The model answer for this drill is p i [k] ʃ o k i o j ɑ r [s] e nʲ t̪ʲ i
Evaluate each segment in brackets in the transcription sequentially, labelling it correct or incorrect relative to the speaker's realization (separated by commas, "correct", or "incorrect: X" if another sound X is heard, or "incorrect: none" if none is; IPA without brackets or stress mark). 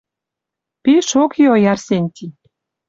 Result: incorrect: none, correct